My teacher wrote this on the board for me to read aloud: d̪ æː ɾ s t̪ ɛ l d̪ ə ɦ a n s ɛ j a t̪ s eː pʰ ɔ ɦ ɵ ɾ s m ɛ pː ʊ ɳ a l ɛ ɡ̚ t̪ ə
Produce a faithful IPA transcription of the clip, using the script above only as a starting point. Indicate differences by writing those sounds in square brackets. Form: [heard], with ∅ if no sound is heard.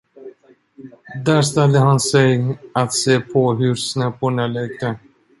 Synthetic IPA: d̪ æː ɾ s t̪ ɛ l d̪ ə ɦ a n s ɛ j a t̪ s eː pʰ ɔ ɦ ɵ ɾ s [n] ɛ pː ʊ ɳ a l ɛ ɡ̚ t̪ ə